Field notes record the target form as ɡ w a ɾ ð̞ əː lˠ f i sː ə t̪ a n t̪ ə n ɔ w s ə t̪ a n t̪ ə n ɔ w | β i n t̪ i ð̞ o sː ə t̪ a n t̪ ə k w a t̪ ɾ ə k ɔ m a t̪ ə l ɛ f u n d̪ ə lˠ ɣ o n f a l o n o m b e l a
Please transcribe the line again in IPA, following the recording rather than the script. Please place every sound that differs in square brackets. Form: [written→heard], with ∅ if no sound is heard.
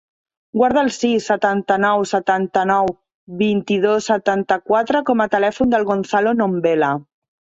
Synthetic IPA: ɡ w a ɾ ð̞ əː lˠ [f→s] i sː ə t̪ a n t̪ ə n ɔ w s ə t̪ a n t̪ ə n ɔ w | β i n t̪ i ð̞ o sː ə t̪ a n t̪ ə k w a t̪ ɾ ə k ɔ m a t̪ ə l ɛ f u n d̪ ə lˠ ɣ o n [f→θ] a l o n o m b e l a